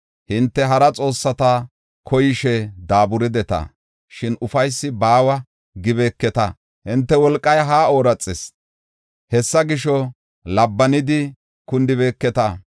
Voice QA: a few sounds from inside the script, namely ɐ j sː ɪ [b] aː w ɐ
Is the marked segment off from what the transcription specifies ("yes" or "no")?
no